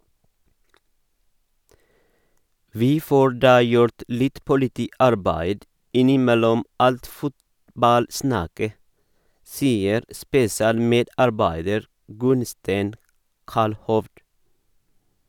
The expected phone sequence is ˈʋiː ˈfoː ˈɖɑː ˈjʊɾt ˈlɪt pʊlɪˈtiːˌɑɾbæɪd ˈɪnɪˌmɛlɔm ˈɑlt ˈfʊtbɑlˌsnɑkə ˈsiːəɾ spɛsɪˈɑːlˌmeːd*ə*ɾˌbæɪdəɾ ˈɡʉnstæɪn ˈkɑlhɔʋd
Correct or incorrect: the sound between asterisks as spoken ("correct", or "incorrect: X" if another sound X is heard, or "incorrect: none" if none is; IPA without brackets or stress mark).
incorrect: ɑ